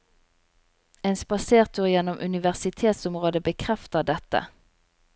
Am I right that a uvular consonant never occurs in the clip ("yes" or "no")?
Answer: no